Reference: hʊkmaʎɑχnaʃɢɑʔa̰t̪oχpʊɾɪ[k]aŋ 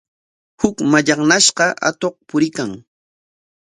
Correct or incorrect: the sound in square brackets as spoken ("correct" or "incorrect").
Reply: correct